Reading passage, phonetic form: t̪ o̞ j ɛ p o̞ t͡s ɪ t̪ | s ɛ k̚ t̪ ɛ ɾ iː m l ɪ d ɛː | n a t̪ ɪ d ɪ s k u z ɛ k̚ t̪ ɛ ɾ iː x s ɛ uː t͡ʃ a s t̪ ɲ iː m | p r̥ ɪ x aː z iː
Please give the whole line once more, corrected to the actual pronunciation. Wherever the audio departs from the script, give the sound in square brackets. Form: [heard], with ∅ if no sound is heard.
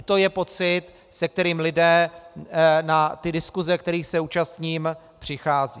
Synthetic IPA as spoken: t̪ o̞ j ɛ p o̞ t͡s ɪ t̪ | s ɛ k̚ t̪ ɛ ɾ iː m l ɪ d ɛː | n a t̪ ɪ d ɪ s k u z ɛ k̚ t̪ ɛ ɾ iː x s ɛ uː t͡ʃ a s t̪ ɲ iː m | p r̥ ɪ x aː z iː